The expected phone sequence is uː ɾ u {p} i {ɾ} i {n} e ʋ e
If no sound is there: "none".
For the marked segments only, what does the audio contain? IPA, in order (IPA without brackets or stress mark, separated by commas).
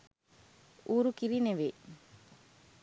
k, ɾ, n